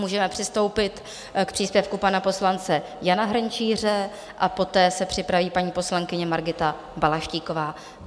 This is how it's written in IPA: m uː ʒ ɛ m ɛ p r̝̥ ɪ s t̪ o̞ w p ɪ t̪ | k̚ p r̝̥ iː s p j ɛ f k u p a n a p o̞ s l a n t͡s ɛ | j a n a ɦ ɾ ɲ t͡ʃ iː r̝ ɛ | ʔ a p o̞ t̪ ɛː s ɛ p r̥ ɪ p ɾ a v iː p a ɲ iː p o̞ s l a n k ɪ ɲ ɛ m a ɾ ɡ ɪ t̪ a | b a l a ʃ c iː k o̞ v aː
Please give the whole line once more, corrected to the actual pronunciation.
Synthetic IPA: m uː ʒ ɛ m ɛ p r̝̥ ɪ s t̪ o̞ w p ɪ t̪ | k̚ p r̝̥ iː s p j ɛ f k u p a n a p o̞ s l a n t͡s ɛ | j a n a ɦ ɾ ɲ t͡ʃ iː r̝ ɛ | ʔ a p o̞ t̪ ɛː s ɛ p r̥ ɪ p ɾ a v iː p a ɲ iː p o̞ s l a ŋ k ɪ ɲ ɛ m a ɾ ɡ ɪ t̪ a | b a l a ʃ c iː k o̞ v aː